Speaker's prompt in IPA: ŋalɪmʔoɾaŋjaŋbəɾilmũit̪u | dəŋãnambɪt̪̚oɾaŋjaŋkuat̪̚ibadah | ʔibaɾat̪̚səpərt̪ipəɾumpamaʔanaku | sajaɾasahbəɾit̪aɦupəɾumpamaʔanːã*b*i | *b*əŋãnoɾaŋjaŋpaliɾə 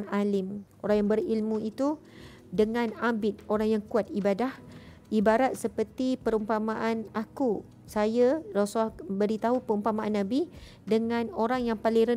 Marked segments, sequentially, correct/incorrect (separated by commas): correct, incorrect